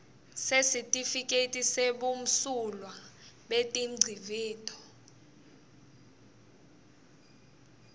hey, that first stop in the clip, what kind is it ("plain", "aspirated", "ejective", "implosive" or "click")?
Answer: ejective